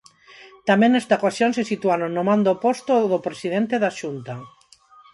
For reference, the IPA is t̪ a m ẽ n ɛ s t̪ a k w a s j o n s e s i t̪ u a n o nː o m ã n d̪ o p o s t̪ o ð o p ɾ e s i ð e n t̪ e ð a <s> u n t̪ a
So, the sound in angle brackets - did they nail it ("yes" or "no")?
no